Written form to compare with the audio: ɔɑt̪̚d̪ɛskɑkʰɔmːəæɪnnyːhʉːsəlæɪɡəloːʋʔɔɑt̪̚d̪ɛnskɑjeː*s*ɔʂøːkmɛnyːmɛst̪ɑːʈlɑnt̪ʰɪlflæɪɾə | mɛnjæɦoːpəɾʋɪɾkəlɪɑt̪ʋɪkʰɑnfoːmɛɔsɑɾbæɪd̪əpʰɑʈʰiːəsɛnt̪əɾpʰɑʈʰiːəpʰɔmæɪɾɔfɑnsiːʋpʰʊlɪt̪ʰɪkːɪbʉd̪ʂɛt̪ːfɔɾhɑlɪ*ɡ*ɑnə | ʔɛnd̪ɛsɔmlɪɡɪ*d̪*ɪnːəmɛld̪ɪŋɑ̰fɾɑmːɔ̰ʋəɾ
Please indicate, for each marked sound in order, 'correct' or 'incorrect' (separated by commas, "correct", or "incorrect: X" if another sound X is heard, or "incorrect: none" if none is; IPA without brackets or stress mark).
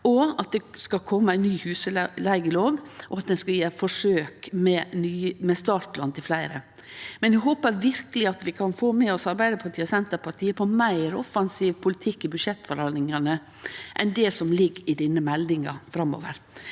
incorrect: f, incorrect: ŋ, correct